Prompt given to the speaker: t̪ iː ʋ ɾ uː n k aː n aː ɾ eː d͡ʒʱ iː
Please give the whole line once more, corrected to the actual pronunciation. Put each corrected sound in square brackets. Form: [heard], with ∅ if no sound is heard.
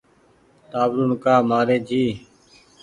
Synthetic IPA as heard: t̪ [aː] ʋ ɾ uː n k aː [m] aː ɾ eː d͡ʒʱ iː